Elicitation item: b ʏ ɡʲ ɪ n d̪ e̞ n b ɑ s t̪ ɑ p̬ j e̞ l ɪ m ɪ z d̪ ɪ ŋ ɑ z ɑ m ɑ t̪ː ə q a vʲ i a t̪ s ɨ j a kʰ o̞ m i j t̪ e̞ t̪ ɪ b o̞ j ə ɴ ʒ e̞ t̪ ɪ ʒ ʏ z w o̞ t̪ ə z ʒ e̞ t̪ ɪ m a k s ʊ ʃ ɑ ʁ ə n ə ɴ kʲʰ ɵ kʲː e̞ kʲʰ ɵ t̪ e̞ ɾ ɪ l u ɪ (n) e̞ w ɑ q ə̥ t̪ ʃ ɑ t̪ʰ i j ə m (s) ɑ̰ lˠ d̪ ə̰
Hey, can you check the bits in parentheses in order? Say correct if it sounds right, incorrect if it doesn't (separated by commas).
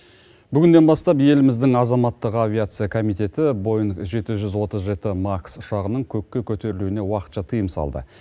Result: correct, correct